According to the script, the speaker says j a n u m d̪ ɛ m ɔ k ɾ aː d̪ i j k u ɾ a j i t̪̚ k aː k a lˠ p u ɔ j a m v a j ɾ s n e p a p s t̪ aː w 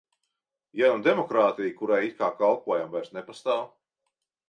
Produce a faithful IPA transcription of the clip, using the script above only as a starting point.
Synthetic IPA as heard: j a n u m d̪ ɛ m ɔ k ɾ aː t̪ i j k u ɾ a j i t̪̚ k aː k a lˠ p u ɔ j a m v a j ɾ s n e p a s t̪ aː w